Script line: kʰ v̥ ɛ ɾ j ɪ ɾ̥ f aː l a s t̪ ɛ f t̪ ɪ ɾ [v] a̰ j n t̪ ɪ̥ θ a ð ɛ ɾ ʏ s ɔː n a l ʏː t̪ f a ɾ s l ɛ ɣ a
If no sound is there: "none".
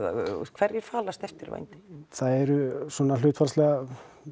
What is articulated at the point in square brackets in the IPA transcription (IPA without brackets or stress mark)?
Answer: v